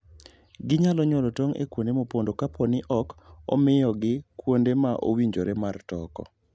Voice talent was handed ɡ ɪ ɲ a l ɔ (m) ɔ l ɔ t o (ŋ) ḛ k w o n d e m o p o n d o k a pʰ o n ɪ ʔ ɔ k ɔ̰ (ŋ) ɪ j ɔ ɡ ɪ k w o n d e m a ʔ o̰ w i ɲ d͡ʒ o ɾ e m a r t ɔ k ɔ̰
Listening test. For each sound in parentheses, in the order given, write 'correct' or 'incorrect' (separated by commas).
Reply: incorrect, correct, incorrect